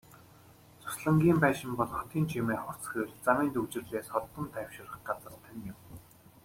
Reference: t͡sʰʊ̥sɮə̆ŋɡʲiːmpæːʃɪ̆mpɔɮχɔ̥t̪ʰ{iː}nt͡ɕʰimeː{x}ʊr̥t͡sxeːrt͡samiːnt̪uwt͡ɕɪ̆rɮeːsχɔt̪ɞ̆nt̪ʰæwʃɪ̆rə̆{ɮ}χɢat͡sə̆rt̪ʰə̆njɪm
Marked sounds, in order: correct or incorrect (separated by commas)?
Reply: correct, incorrect, incorrect